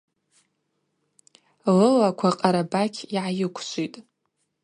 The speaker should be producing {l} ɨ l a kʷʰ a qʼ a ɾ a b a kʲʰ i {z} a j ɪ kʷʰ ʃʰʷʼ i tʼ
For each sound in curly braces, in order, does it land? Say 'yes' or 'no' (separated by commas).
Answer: yes, no